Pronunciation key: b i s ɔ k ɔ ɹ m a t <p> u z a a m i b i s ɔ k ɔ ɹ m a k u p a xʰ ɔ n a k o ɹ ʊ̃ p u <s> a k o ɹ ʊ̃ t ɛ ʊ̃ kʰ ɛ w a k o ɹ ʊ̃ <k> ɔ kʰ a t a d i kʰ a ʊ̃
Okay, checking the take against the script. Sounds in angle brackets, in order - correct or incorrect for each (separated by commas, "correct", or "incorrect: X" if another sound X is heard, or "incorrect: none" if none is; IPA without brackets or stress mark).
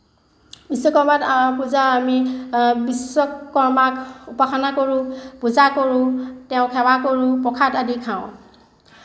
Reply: correct, incorrect: z, incorrect: p